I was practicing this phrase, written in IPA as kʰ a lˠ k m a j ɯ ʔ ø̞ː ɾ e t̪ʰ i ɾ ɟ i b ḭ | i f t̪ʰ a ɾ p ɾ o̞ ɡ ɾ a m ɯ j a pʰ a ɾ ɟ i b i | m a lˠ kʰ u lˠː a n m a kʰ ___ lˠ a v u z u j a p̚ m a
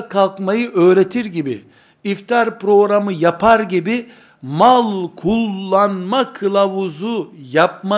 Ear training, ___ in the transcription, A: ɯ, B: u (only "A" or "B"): A